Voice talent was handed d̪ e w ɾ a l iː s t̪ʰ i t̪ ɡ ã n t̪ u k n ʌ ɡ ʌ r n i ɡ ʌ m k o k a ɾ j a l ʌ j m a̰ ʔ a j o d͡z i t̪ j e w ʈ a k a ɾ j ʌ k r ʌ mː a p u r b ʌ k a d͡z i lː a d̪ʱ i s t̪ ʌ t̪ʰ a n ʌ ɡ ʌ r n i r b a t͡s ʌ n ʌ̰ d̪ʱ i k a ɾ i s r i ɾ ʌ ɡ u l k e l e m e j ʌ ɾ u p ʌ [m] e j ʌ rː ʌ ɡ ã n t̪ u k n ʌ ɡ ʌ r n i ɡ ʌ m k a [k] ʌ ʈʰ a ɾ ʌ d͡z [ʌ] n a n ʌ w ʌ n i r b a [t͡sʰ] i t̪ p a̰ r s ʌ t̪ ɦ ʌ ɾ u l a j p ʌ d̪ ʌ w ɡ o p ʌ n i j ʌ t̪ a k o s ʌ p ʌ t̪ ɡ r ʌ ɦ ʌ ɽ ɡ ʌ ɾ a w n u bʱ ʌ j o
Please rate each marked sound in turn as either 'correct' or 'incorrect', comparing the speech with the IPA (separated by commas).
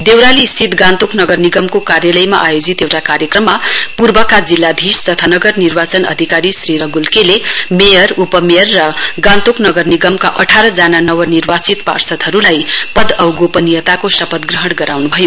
correct, incorrect, incorrect, incorrect